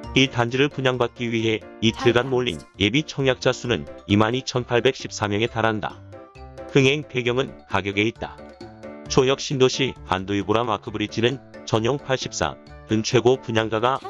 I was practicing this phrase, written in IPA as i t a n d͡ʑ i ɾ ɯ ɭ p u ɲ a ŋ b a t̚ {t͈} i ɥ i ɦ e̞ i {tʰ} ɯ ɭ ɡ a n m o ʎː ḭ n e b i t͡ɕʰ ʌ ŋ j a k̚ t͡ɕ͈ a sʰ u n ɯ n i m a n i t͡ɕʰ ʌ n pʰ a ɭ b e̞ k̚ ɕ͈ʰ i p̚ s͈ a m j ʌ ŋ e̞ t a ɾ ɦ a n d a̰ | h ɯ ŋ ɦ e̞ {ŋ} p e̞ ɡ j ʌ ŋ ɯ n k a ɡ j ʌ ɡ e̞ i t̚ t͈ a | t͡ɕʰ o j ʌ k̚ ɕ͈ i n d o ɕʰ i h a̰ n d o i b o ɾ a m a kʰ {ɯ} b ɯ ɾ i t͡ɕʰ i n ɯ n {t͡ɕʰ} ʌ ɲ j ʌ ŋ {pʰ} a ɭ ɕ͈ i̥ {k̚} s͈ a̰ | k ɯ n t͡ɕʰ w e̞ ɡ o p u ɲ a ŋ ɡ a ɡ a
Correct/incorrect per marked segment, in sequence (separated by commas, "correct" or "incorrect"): incorrect, correct, correct, correct, incorrect, correct, incorrect